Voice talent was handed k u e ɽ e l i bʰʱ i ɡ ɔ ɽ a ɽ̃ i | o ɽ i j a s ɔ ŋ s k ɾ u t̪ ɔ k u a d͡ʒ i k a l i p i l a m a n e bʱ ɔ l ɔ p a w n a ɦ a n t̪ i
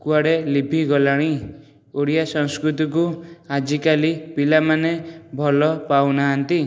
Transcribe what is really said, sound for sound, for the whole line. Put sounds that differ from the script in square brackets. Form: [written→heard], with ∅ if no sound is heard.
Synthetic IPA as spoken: k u [e→a] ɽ e l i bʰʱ i ɡ ɔ [ɽ→l] a ɽ̃ i | o ɽ i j a s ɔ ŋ s k ɾ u t̪ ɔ k u a d͡ʒ i k a l i p i l a m a n e bʱ ɔ l ɔ p a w n a ɦ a n t̪ i